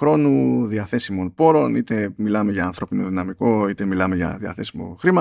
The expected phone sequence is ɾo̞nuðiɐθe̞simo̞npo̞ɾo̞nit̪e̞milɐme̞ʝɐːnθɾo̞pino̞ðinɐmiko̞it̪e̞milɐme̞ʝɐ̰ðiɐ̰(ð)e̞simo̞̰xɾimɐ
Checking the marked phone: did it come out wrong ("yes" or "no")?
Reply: yes